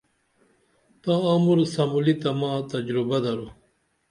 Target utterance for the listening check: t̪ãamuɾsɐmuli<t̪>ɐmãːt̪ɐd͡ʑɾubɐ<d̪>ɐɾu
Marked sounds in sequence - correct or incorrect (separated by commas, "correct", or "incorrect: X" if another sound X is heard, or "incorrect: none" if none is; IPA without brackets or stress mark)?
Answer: correct, correct